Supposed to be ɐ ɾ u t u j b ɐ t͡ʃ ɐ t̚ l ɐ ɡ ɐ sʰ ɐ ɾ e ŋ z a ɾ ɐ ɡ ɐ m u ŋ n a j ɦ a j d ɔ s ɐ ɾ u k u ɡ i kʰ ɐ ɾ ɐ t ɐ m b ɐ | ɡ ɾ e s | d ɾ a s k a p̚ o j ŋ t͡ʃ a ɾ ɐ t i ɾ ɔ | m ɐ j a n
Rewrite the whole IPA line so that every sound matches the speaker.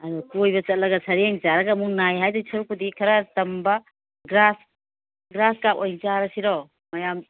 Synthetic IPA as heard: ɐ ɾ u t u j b ɐ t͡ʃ ɐ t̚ l ɐ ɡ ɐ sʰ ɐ ɾ e ŋ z a ɾ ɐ ɡ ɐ m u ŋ n a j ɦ a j d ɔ s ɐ ɾ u k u d i kʰ ɐ ɾ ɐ t ɐ m b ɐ | ɡ ɾ a s | ɡ ɾ a s k a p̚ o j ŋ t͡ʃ a ɾ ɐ s i ɾ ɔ | m ɐ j a m